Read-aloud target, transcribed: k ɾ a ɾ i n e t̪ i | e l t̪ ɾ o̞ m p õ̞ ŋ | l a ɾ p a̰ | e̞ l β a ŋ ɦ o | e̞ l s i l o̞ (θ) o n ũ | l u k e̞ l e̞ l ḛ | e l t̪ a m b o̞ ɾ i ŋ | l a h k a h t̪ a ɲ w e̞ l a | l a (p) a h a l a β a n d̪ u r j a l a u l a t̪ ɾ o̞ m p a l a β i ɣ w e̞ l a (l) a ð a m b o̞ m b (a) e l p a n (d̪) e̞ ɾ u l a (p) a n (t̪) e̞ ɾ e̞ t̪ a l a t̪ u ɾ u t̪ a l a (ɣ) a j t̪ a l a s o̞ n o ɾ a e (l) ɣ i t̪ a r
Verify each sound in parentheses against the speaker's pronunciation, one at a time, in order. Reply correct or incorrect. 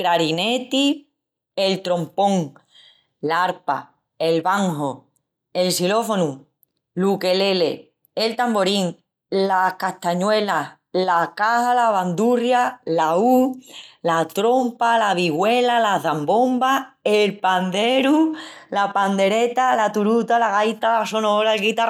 incorrect, incorrect, correct, correct, correct, correct, incorrect, correct, correct

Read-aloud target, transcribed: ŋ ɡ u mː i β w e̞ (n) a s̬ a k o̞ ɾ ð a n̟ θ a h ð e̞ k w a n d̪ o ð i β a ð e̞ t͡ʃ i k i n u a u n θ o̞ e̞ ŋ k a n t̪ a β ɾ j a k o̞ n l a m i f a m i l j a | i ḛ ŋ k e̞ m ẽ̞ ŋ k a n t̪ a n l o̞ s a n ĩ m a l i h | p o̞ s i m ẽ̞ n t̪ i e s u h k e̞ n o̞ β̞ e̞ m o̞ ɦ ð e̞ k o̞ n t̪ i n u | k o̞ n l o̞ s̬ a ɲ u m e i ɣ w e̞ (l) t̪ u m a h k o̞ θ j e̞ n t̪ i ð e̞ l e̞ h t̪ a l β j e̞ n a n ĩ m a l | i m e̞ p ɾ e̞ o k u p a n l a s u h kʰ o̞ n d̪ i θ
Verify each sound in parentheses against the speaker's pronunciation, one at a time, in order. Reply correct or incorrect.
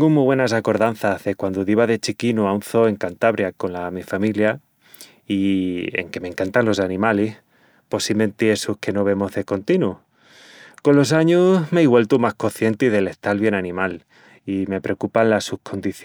correct, correct

